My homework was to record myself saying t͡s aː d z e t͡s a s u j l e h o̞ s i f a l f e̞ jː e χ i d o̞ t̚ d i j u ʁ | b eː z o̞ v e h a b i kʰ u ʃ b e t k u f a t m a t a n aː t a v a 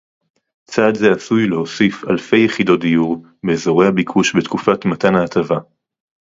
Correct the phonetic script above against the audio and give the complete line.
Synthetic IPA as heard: t͡s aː d z e a s u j l e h o̞ s i f a l f e̞ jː e χ i d o̞ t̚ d i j u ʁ | b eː z o̞ ʁ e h a b i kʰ u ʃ b e t k u f a t m a t a n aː t a v a